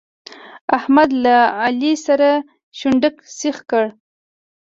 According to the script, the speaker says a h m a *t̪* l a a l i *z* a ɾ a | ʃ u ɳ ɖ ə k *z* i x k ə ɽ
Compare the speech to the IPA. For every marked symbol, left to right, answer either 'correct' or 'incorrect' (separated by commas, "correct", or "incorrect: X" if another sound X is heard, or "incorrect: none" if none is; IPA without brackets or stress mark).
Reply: incorrect: d̪, incorrect: s, incorrect: s